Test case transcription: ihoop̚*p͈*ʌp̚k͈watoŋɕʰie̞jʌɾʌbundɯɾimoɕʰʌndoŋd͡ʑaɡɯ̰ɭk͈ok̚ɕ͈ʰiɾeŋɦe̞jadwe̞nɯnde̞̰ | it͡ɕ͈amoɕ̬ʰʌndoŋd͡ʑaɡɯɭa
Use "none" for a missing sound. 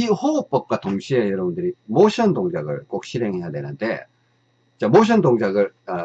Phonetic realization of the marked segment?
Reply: p͈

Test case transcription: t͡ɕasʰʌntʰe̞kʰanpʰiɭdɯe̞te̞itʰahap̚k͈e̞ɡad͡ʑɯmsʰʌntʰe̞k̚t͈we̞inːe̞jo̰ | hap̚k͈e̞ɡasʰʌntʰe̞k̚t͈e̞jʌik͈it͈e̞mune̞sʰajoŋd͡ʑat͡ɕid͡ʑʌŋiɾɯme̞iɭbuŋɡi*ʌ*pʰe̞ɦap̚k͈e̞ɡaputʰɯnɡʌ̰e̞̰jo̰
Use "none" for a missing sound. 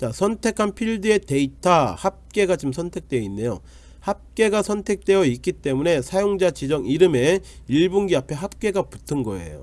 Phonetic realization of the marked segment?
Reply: a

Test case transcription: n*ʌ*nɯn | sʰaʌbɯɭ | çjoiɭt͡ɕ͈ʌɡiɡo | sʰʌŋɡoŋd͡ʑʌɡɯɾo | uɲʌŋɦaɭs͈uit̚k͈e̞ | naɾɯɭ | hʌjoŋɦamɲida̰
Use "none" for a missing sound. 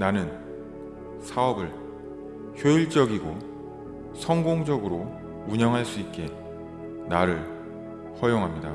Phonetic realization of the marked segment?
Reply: a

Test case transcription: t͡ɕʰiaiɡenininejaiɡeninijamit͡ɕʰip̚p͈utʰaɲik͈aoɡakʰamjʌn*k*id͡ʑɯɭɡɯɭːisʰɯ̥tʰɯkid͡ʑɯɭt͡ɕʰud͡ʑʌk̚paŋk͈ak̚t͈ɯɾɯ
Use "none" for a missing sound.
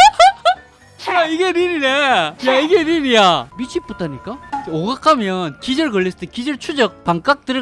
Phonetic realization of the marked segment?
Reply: k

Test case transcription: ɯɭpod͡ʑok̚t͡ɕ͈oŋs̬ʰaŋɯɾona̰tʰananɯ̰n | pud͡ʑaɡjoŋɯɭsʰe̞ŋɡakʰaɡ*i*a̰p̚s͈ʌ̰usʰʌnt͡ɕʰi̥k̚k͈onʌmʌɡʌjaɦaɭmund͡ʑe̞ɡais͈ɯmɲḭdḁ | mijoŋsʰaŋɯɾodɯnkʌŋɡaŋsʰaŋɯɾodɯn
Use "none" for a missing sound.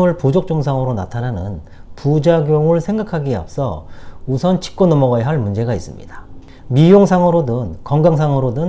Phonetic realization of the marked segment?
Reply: i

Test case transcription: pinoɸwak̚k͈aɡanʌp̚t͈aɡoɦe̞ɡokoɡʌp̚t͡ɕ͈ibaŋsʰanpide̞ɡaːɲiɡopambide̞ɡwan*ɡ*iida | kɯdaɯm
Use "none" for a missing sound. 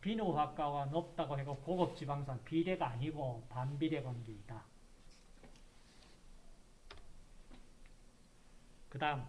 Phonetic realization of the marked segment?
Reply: ɡ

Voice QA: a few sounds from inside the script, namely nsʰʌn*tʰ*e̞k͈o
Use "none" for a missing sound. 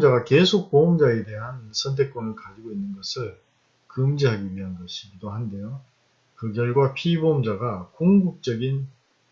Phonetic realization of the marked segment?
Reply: tʰ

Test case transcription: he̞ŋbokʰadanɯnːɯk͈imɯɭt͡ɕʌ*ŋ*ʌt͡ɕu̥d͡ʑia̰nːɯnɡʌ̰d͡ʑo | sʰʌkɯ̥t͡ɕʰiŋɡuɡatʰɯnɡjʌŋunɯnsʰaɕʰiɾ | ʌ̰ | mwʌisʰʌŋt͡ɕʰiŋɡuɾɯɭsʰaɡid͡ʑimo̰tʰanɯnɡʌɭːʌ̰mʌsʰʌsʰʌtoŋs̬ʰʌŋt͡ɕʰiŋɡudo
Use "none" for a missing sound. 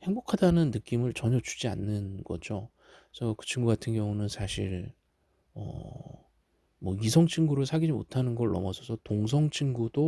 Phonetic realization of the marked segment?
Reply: ɲ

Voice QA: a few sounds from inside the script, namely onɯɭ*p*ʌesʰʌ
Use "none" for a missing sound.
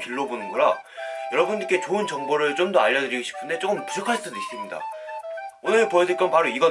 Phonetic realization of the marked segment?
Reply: p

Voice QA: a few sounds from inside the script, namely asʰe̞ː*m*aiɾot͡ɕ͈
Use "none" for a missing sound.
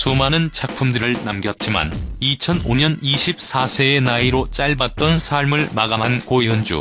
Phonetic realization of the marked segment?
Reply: n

